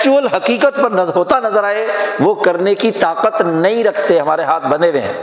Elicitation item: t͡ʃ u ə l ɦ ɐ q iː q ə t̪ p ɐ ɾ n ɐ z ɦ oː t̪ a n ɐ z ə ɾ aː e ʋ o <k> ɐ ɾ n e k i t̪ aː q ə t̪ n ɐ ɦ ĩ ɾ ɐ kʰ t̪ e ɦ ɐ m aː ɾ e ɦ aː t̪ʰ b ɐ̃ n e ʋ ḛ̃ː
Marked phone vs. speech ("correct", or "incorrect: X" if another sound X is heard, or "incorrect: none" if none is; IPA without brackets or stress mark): correct